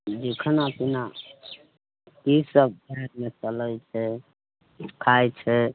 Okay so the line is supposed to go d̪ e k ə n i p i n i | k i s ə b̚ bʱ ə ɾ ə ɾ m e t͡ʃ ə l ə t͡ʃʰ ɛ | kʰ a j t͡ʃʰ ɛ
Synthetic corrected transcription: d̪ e kʰ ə n a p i n a | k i s ə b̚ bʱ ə ɾ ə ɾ m e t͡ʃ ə l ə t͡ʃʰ ɛ | kʰ a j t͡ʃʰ ɛ